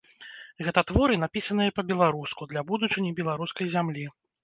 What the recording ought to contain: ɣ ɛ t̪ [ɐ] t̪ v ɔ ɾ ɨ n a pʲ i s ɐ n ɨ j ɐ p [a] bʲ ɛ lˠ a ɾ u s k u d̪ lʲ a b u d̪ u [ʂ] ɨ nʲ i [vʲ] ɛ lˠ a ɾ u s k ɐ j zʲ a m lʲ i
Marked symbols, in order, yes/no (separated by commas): yes, no, no, no